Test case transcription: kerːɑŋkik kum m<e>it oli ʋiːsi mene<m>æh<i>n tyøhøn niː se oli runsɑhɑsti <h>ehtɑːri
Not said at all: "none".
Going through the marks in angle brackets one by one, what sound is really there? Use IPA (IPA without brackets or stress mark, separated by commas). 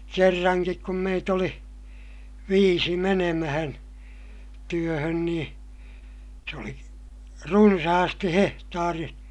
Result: e, m, æ, h